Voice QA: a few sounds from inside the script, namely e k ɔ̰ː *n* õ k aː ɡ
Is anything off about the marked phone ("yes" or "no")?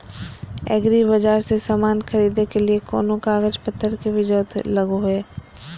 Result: no